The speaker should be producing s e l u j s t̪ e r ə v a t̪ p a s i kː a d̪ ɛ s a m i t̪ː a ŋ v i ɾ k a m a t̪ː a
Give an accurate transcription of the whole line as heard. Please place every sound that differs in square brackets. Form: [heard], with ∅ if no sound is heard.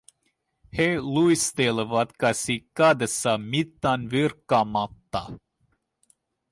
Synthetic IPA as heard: [h] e l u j s t̪ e [l] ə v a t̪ [k] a s i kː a d̪ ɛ s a m i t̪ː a [n] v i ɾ k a m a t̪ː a